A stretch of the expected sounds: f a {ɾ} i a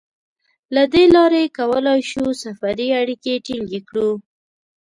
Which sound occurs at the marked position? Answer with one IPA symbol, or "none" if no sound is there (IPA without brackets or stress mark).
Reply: ɾ